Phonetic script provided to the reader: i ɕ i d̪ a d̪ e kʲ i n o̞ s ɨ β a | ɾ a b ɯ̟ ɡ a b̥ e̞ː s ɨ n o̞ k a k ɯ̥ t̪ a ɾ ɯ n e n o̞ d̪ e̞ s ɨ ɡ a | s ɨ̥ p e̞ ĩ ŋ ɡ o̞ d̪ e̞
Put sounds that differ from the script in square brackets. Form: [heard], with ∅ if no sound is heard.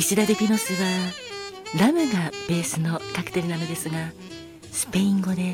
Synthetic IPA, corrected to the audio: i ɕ i d̪ a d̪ e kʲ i n o̞ s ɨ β a | ɾ a [m] ɯ̟ ɡ a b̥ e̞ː s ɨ n o̞ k a k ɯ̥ t̪ [e] ɾ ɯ n [a] n o̞ d̪ e̞ s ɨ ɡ a | s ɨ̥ p e̞ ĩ ŋ ɡ o̞ d̪ e̞